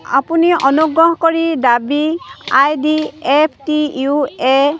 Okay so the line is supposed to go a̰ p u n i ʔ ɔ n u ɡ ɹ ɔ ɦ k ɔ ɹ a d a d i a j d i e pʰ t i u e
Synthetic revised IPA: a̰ p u n i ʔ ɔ n u ɡ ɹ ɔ ɦ k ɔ ɹ i d a b i a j d i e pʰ t i u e